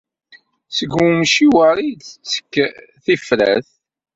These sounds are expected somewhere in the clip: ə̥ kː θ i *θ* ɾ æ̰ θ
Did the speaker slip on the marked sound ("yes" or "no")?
yes